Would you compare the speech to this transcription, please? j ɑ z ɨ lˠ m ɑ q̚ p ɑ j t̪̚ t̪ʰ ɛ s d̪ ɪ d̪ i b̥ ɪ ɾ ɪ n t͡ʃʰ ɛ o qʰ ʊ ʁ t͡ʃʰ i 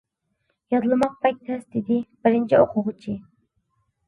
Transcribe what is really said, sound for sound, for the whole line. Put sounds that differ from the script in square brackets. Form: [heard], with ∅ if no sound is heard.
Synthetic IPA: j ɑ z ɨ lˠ m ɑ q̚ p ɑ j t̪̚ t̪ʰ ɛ s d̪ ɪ d̪ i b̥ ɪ ɾ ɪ n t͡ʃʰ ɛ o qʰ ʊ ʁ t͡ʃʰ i